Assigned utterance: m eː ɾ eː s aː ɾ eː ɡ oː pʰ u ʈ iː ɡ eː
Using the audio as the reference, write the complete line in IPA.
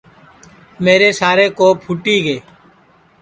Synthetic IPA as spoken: m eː ɾ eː s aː ɾ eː k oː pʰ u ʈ iː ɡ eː